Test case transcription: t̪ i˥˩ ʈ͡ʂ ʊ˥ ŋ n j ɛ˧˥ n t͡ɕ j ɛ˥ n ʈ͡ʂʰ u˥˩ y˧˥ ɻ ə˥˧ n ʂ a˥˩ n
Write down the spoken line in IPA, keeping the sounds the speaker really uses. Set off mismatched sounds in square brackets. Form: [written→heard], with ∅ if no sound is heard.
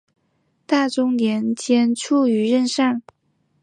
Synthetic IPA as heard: t̪ [i˥˩→a˥˩] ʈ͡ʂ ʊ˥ ŋ n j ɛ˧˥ n t͡ɕ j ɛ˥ n ʈ͡ʂʰ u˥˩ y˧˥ ɻ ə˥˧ n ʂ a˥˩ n